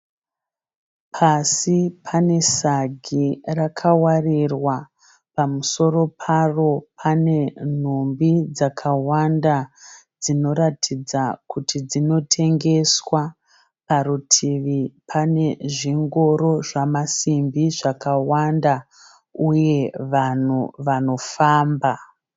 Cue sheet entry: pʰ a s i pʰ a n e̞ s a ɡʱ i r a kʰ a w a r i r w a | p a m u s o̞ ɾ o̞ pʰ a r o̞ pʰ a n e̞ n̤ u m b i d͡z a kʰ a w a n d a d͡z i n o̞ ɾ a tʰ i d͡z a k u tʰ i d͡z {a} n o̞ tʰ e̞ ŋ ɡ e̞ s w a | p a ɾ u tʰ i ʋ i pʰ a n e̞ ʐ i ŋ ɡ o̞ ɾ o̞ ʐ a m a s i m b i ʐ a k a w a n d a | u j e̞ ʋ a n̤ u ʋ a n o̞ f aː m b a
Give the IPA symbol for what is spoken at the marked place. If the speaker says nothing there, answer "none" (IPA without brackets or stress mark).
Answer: i